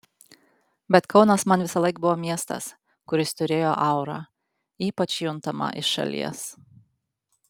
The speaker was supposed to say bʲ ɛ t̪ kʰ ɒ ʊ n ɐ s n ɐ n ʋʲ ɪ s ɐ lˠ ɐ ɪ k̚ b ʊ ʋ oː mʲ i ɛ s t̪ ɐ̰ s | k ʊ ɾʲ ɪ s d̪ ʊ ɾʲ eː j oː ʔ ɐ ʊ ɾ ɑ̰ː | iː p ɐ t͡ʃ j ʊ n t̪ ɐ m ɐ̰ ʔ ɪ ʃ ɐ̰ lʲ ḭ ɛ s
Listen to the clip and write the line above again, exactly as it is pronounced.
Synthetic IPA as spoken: bʲ ɛ t̪ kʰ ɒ ʊ n ɐ s m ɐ n ʋʲ ɪ s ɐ lˠ ɐ ɪ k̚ b ʊ ʋ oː mʲ i ɛ s t̪ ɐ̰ s | k ʊ ɾʲ ɪ s t̪ ʊ ɾʲ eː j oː ʔ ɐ ʊ ɾ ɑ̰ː | iː p ɐ t͡ʃ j ʊ n t̪ ɐ m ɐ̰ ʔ ɪ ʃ ɐ̰ lʲ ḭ ɛ s